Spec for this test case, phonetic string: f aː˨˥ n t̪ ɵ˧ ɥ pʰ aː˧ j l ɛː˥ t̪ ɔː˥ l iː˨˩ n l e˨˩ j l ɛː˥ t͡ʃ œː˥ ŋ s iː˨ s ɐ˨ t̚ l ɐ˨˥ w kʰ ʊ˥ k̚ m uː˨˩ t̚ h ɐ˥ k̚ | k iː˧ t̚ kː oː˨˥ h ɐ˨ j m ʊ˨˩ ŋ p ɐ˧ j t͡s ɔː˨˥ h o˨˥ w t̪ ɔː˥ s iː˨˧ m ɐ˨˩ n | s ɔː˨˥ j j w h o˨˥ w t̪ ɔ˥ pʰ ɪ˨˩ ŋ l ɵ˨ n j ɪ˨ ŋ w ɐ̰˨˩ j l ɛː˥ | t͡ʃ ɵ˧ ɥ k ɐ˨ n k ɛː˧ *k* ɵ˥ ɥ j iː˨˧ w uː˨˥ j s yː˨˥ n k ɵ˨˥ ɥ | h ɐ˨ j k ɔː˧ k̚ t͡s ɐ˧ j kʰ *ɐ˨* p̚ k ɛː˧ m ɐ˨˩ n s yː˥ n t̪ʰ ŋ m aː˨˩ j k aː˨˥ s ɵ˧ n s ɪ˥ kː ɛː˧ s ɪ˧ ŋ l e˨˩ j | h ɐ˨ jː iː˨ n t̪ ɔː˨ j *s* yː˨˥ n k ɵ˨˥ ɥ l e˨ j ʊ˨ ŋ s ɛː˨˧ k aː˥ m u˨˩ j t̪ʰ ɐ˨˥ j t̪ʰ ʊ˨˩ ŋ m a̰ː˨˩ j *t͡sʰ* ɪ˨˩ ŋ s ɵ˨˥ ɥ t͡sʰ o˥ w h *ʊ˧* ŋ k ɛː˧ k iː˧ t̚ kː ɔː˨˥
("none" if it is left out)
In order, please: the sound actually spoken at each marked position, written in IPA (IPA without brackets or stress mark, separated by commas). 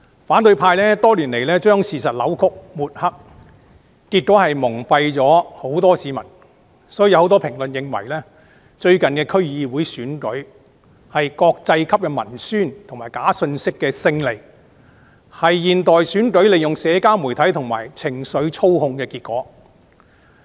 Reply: kʰ, ɐ˥, s, t͡sʰ, ʊ˧